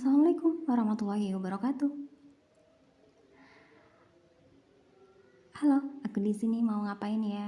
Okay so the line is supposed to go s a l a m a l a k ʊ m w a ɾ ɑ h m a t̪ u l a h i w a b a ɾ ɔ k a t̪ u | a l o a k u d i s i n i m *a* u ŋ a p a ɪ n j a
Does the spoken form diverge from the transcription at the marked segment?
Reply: no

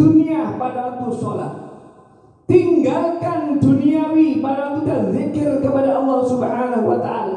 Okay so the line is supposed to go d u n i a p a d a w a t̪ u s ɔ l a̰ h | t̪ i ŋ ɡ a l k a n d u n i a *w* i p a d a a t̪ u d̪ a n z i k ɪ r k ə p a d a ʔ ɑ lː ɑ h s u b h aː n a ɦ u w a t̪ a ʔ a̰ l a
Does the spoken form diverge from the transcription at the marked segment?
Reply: no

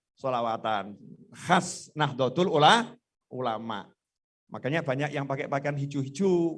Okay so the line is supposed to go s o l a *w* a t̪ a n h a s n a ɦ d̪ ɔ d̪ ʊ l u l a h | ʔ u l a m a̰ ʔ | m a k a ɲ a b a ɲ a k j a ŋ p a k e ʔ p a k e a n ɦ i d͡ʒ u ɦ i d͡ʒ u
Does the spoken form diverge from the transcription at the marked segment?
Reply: no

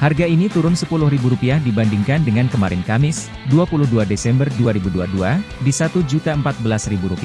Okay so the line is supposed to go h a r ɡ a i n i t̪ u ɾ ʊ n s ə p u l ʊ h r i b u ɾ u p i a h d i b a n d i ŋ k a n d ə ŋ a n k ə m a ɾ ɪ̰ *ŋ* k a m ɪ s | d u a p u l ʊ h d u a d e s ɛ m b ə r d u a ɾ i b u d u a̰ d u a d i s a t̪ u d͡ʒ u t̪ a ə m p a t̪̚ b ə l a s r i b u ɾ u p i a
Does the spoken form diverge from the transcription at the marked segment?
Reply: yes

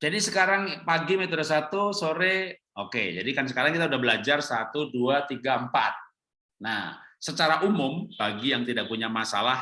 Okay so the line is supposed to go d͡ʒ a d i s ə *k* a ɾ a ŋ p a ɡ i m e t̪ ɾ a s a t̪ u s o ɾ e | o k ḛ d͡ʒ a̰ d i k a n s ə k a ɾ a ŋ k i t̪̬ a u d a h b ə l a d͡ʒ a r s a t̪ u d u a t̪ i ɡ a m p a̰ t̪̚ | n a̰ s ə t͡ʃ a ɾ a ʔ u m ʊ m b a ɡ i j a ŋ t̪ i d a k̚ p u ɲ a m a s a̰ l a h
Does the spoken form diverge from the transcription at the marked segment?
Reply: no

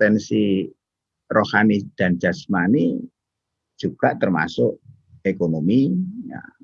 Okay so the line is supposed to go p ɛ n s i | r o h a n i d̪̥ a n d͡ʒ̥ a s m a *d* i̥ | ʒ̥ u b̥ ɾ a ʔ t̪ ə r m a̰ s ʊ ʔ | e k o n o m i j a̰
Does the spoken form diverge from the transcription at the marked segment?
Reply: yes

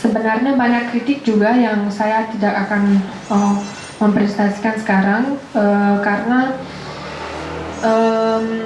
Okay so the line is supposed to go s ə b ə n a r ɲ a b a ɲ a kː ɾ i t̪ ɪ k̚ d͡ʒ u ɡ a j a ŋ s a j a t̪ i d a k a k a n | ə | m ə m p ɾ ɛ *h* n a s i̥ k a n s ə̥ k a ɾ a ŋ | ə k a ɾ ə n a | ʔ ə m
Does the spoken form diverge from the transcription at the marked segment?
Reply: yes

